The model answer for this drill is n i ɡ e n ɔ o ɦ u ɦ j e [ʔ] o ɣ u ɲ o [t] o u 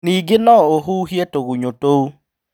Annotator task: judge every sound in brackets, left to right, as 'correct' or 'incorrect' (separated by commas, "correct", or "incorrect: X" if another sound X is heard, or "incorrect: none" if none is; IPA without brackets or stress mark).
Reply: incorrect: t, correct